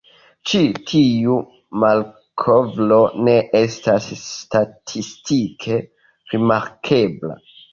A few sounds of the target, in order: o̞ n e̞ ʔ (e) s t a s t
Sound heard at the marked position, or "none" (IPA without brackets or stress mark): e